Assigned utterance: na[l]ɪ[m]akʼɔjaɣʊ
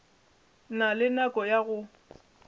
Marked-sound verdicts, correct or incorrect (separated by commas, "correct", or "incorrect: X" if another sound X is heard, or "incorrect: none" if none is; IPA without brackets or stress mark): correct, incorrect: n